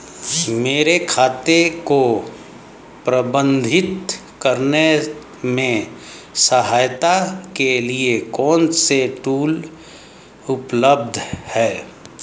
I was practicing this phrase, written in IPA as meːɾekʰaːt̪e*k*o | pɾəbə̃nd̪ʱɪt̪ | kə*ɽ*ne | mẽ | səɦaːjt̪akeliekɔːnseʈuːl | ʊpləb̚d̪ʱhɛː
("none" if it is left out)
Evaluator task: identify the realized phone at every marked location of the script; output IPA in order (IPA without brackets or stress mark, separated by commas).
k, ɾ